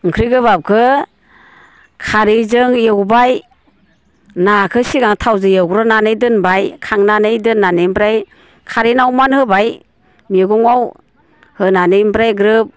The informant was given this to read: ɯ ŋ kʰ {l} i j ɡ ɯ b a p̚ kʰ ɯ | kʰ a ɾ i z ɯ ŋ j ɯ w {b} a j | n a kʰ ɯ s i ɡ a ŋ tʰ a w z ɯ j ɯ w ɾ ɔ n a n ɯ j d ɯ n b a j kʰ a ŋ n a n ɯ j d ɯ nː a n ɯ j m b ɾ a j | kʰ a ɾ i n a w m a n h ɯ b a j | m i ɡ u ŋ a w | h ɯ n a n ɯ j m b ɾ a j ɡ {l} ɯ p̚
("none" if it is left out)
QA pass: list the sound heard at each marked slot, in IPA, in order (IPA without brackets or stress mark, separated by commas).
ɾ, b, ɾ